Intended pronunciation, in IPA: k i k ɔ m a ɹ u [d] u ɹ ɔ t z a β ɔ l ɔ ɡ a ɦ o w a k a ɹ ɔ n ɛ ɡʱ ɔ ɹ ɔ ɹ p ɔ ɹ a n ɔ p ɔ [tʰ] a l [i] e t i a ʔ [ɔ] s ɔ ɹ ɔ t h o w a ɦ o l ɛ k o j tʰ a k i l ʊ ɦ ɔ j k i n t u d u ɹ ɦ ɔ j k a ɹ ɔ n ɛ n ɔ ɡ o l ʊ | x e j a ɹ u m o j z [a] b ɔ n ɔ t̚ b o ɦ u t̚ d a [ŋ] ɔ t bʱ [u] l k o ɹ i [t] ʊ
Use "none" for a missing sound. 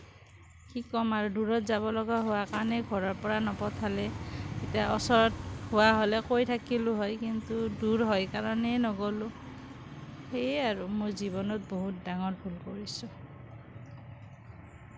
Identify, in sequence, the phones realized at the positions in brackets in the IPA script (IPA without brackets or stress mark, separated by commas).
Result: d, tʰ, ɛ, ɔ, i, ŋ, u, s